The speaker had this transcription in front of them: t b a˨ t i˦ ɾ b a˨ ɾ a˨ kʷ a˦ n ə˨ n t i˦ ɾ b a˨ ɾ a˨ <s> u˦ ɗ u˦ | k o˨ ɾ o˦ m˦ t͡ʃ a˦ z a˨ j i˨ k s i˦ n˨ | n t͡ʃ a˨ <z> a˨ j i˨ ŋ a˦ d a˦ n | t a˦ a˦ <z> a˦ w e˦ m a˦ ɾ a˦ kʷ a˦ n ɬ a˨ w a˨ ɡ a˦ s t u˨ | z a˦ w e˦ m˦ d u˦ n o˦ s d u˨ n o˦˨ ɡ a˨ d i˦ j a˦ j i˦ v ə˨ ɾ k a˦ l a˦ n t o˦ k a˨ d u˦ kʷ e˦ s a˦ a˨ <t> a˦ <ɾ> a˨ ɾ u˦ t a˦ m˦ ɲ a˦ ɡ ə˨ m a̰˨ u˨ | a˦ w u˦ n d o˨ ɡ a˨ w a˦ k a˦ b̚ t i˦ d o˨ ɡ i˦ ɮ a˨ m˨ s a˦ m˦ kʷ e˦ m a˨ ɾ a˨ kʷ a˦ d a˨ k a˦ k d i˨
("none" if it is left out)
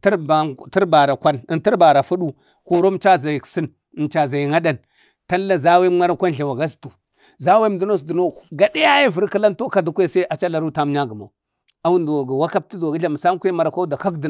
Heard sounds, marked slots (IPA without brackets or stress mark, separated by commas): f, z, z, t͡ʃ, l